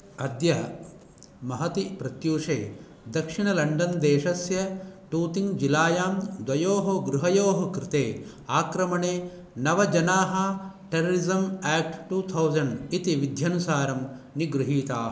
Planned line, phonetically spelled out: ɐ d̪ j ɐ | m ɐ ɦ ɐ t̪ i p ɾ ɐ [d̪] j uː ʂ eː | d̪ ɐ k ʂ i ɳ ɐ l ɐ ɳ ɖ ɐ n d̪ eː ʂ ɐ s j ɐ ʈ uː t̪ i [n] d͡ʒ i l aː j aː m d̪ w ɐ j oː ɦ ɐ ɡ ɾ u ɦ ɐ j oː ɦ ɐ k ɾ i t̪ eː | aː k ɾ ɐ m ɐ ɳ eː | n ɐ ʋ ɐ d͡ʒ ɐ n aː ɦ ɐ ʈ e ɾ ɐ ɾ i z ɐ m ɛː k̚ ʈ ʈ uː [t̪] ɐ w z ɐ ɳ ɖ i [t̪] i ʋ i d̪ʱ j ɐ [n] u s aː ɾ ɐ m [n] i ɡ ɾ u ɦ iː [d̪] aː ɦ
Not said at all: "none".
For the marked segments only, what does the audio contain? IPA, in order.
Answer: t̪, ŋ, t̪ʰ, t̪, n, n, t̪

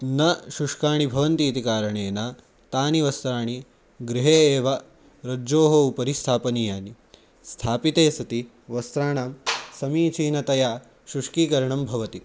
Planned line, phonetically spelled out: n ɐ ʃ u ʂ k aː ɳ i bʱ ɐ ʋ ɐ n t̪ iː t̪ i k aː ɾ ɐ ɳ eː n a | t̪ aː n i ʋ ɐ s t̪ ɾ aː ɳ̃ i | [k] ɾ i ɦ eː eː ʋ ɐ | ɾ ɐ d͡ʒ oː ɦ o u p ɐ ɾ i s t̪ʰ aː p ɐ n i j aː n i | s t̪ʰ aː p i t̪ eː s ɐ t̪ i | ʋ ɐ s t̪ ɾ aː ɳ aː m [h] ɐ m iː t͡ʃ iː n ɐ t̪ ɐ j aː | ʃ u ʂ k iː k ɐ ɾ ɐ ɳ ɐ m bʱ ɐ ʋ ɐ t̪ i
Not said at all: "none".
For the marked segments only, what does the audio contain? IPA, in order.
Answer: ɡ, s

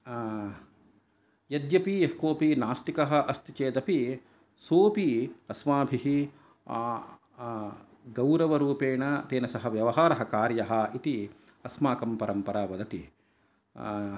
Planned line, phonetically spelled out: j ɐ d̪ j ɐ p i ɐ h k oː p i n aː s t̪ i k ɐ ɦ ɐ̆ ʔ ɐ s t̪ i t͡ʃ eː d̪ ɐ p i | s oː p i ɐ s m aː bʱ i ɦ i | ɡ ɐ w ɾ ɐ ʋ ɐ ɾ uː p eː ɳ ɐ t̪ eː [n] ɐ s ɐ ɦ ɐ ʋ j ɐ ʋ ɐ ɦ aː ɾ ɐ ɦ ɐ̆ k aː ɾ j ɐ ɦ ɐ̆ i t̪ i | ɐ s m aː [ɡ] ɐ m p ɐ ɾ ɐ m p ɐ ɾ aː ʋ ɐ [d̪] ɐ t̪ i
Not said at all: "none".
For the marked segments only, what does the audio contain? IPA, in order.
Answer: n, k, d̪

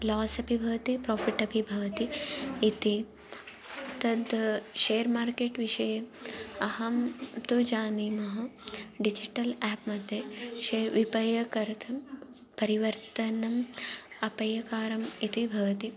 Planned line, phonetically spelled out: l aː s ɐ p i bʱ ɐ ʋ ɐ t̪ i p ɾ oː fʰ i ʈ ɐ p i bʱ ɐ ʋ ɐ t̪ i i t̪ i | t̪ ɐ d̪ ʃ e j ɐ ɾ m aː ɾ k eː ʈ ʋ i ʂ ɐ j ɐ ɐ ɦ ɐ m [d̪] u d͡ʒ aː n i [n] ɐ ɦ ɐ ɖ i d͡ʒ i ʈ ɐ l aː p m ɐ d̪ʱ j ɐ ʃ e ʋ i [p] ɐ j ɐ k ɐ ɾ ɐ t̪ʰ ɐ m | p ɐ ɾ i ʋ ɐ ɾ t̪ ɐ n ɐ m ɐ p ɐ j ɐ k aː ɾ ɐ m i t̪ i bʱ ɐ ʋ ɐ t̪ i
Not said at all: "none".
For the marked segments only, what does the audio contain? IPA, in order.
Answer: t̪, m, p

